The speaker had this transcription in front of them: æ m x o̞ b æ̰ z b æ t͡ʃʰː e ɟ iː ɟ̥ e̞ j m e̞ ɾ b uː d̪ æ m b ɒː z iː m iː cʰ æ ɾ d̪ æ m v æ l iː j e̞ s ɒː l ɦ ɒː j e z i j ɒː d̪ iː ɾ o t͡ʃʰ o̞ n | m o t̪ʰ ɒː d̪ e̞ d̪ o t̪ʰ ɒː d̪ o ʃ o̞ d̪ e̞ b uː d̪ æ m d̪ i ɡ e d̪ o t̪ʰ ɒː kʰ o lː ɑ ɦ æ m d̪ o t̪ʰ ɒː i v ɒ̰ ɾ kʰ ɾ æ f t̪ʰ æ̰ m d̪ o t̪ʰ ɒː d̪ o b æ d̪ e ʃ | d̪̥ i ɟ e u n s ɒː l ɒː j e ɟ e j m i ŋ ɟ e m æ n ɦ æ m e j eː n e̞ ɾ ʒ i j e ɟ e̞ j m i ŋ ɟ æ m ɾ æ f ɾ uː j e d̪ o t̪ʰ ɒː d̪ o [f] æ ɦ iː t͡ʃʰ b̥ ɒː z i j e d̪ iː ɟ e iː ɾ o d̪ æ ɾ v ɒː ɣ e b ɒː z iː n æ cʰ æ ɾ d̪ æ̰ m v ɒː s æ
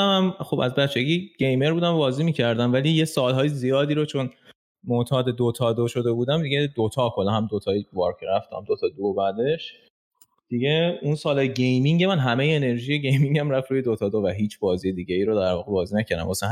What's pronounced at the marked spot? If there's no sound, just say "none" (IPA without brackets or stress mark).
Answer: v